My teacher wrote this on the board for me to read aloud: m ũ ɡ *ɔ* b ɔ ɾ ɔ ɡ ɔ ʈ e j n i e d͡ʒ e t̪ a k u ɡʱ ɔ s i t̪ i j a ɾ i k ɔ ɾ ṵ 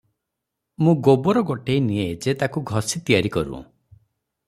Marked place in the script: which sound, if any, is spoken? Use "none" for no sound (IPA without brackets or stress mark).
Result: o